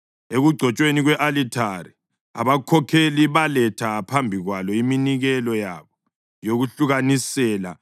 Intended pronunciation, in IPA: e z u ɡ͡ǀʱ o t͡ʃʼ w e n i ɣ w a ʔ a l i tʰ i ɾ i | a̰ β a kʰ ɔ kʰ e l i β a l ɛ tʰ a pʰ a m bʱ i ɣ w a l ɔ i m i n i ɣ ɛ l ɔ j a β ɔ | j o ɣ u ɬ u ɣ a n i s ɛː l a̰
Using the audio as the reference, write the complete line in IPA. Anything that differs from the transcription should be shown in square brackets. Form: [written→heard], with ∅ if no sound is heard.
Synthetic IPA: e [z→ɣ] u ɡ͡ǀʱ [o→ɔ] t͡ʃʼ w e n i ɣ w [a→ɛ] ʔ a l i tʰ [i→a] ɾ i | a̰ β a kʰ ɔ kʰ e l i β a l ɛ tʰ a pʰ a m bʱ i ɣ w a l ɔ i m i n i ɣ ɛ l ɔ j a β ɔ | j o ɣ u ɬ u ɣ a n i s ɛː l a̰